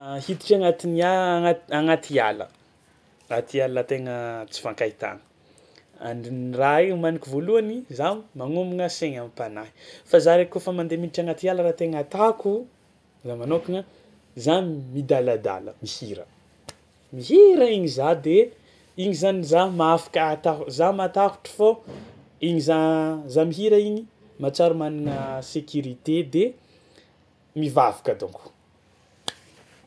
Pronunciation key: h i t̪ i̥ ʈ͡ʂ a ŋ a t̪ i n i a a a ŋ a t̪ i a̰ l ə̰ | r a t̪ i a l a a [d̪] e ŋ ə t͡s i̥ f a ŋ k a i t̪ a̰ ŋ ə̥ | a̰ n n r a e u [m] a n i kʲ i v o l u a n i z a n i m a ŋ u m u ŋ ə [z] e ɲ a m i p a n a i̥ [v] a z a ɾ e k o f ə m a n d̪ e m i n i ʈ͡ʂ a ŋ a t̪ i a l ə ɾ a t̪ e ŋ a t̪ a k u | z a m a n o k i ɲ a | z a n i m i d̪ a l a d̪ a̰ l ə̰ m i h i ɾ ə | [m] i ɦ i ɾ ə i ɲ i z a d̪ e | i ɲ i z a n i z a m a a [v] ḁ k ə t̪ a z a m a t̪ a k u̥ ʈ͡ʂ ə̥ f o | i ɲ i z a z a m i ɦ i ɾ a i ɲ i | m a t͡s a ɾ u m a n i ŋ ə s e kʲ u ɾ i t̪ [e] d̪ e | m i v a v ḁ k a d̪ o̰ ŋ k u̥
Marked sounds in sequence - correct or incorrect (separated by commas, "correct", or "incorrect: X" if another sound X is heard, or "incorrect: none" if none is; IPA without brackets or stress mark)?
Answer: incorrect: t̪, correct, incorrect: s, incorrect: f, correct, incorrect: f, correct